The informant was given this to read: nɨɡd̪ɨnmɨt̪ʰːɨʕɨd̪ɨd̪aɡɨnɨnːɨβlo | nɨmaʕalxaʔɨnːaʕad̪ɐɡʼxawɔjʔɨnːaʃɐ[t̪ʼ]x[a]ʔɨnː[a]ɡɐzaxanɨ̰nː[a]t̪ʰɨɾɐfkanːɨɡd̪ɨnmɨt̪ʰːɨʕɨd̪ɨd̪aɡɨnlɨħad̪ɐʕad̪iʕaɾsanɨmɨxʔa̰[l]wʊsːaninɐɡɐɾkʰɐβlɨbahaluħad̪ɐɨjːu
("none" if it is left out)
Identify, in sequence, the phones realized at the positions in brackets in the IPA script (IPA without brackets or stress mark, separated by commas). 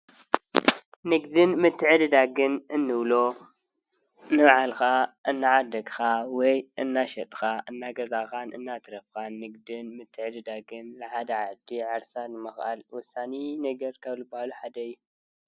t̪ʼ, a, a, a, l